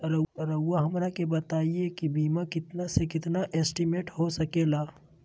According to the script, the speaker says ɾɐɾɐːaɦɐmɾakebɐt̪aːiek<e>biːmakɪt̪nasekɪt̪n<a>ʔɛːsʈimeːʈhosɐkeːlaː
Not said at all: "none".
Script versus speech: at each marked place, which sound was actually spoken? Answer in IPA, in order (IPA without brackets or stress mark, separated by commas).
i, a